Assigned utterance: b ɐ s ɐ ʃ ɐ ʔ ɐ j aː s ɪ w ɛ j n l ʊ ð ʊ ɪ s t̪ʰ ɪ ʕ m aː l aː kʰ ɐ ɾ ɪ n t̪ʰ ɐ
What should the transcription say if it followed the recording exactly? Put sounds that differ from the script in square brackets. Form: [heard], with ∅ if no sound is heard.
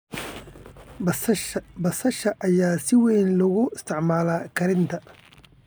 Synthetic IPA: b ɐ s ɐ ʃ ɐ ʔ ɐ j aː s ɪ w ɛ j n l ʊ [ɣ] ʊ ɪ s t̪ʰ ɪ ʕ m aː l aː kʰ ɐ ɾ ɪ n t̪ʰ ɐ